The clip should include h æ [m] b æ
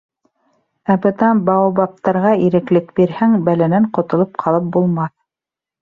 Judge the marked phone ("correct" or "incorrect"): incorrect